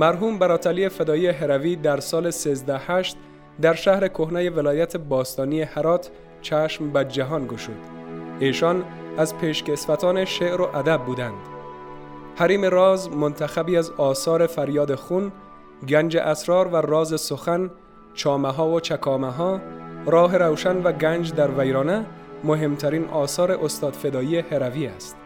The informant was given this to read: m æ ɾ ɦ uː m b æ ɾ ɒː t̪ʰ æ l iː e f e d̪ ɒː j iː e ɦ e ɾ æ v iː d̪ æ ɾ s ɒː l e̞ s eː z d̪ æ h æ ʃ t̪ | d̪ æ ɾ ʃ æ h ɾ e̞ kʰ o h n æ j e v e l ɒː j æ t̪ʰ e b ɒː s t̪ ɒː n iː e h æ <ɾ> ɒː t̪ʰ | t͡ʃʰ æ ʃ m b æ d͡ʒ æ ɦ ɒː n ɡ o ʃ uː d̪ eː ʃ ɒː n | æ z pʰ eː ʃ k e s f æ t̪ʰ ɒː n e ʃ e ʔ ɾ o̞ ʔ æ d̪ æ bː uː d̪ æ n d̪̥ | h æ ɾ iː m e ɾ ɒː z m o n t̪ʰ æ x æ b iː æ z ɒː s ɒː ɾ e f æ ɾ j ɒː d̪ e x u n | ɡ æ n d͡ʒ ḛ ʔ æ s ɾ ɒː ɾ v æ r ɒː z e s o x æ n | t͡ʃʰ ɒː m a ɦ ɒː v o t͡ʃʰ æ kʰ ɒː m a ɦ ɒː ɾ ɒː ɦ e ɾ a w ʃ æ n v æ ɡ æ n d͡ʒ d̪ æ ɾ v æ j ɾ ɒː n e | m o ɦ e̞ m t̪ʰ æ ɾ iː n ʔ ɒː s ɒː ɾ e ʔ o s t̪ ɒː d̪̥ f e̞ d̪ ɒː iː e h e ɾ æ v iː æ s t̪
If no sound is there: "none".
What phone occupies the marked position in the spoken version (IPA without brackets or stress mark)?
ɾ